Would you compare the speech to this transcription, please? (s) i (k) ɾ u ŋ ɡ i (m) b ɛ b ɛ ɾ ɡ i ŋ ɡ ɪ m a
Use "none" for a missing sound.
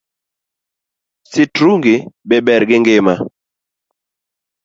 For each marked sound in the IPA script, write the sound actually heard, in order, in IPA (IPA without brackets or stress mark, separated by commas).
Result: s, t, none